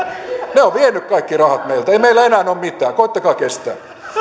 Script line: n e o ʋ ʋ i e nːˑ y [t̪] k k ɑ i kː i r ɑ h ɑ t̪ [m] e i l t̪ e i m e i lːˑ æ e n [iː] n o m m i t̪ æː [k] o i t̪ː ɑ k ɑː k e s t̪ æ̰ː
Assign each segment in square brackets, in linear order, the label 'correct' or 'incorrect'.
incorrect, correct, incorrect, correct

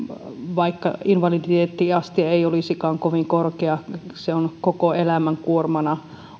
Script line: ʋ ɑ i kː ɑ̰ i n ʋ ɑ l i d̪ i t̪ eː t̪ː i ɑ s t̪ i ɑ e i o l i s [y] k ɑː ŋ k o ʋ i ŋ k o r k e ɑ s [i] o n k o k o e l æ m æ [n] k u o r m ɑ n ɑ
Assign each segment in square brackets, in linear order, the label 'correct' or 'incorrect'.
incorrect, incorrect, incorrect

